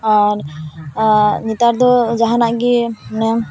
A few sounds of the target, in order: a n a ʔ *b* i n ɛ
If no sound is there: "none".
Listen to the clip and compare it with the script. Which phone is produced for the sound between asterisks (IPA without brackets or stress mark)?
ɡ